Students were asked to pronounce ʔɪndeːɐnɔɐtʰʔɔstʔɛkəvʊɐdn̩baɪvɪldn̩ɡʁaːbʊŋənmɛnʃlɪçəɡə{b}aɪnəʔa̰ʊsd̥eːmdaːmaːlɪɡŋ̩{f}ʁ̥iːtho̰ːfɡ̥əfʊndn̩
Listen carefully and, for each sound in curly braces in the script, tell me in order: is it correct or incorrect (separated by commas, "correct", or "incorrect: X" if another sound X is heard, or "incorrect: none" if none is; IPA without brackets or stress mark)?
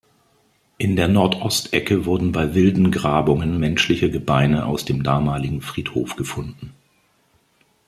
correct, correct